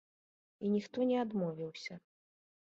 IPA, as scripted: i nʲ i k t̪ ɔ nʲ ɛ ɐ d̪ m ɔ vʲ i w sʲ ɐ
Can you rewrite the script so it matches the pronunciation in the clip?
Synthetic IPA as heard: i nʲ i x t̪ ɔ nʲ ɛ a d̪ m ɔ vʲ i w sʲ ɐ

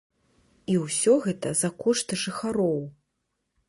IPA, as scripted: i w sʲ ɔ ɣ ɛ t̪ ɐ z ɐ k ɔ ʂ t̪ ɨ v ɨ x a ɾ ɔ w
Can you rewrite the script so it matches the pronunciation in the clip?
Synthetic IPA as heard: i w sʲ ɔ ɣ ɛ t̪ ɐ z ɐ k ɔ ʂ t̪ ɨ ʐ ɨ x a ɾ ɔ w

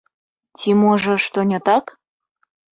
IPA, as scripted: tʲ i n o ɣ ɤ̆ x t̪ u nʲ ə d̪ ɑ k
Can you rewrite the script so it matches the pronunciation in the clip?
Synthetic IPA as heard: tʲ i m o ʒ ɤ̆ ʃ t̪ o nʲ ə t̪ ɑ k

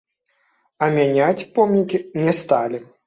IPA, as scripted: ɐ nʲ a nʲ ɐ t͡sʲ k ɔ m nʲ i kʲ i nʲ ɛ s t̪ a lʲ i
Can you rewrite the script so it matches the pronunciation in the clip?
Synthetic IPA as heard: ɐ mʲ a nʲ a t͡sʲ p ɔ m nʲ i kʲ i nʲ ɛ s t̪ a lʲ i

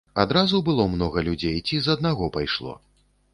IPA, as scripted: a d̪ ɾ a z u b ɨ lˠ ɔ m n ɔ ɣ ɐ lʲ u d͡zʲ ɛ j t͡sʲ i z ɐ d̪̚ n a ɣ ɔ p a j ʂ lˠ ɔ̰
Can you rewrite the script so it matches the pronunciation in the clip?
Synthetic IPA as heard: a d̪ ɾ a z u b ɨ lˠ ɔ m n ɔ ɣ ɐ lʲ u d͡zʲ e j t͡sʲ i z ɐ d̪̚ n a ɣ ɔ p a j ʂ lˠ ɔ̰

